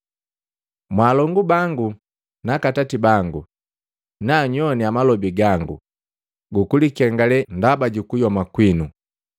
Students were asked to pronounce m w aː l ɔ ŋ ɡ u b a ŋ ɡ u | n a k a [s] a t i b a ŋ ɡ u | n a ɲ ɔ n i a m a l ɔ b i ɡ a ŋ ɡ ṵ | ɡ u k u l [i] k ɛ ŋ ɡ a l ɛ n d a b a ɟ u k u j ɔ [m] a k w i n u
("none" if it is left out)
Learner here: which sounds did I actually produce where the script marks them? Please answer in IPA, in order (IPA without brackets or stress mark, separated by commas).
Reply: t, i, m